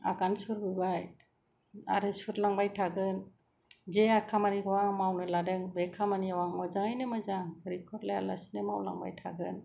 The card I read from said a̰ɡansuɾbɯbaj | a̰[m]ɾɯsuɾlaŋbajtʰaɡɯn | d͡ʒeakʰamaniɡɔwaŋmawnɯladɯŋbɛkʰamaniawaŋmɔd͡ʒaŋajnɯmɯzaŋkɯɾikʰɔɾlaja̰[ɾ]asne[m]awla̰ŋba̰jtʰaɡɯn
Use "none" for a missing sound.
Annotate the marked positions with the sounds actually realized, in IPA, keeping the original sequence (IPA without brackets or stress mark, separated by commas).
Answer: none, l, m